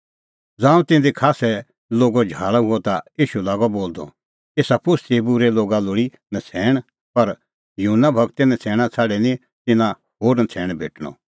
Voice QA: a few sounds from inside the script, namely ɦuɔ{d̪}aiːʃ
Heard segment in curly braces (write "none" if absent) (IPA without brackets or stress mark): t̪